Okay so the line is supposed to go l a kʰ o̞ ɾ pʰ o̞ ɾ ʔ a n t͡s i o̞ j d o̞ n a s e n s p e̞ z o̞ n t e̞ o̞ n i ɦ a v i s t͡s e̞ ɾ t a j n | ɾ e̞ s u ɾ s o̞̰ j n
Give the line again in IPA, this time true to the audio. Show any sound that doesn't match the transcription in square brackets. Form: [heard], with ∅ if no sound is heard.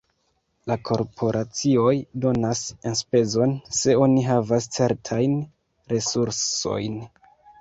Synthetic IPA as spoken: l a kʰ o̞ ɾ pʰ o̞ ɾ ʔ a [∅] t͡s i o̞ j d o̞ n a s e n s p e̞ z o̞ n [s] e̞ o̞ n i ɦ a v [a] s t͡s e̞ ɾ [tʰ] a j n | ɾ e̞ s u ɾ s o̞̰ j n